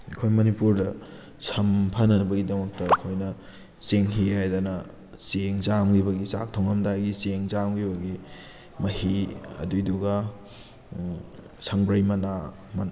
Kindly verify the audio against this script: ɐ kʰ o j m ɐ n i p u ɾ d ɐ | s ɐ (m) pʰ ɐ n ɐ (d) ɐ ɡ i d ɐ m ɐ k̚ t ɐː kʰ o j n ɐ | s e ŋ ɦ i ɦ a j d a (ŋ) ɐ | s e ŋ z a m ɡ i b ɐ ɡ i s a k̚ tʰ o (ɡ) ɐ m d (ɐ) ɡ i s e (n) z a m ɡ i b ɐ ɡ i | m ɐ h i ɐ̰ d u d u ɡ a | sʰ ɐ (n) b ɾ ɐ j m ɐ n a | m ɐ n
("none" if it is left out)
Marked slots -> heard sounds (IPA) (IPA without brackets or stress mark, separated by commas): m, b, n, ŋ, a, ŋ, ŋ